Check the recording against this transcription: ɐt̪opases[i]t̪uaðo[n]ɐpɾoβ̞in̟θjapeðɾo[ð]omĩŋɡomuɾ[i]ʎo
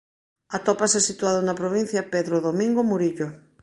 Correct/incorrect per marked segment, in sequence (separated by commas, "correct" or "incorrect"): correct, correct, correct, correct